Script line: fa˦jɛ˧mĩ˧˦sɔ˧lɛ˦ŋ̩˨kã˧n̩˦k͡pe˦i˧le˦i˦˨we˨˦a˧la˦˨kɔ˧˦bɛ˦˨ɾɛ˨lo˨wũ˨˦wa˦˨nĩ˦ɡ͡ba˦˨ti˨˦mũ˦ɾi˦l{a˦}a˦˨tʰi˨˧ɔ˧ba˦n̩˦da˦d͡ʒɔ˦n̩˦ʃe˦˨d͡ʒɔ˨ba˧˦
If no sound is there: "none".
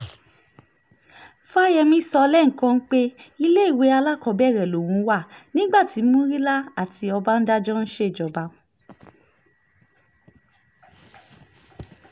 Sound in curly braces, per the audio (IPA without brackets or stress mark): a˦